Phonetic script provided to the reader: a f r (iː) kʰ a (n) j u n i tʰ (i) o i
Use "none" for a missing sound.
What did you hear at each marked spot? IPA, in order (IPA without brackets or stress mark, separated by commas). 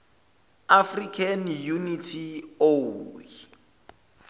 i, n, i